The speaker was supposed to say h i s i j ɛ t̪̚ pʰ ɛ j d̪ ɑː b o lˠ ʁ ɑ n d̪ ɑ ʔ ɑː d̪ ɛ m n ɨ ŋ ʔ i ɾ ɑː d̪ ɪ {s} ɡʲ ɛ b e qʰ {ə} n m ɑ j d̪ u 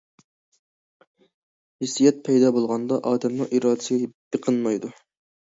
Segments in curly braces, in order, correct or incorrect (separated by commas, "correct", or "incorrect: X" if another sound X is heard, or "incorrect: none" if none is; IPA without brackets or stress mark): correct, correct